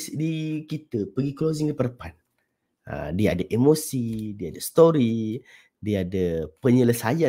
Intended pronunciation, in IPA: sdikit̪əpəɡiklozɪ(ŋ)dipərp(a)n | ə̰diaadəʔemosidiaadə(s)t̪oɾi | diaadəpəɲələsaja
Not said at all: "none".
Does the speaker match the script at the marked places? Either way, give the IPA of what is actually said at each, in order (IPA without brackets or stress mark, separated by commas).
ŋ, a, s